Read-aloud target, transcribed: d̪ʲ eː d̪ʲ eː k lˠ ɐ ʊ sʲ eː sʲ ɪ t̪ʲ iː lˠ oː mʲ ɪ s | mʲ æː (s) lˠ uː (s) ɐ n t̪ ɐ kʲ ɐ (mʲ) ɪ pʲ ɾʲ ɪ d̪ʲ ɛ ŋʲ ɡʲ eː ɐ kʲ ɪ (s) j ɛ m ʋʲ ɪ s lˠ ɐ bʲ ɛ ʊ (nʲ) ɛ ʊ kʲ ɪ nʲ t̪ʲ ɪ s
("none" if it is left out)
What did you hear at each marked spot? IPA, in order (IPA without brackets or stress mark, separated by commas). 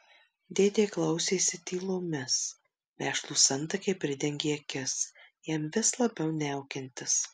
ʃ, s, none, s, nʲ